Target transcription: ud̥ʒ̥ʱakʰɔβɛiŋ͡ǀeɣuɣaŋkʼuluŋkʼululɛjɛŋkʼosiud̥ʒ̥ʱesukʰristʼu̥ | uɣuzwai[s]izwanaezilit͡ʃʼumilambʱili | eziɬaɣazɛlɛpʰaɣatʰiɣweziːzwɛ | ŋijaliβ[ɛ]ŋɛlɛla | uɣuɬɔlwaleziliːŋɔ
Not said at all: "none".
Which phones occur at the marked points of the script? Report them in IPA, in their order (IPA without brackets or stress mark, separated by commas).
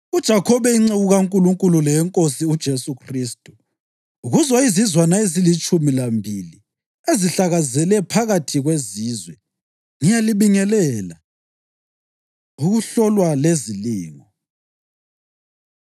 z, i